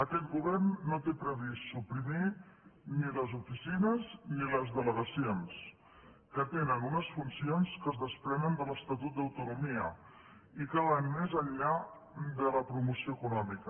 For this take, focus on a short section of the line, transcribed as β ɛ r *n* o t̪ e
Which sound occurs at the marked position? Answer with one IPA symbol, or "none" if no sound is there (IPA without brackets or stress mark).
nː